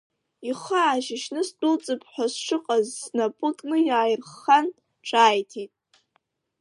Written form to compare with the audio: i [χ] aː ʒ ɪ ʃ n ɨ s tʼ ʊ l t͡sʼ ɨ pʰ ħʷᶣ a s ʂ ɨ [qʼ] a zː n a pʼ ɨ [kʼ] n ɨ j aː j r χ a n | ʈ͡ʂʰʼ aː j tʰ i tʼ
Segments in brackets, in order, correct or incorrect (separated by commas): correct, correct, correct